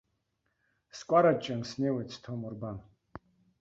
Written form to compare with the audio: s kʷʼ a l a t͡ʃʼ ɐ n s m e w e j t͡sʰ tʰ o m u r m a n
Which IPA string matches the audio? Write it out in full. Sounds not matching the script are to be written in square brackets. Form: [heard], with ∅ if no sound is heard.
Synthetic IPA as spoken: s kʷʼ a [ɾ] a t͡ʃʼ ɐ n s [n] e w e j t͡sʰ tʰ o m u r [b] a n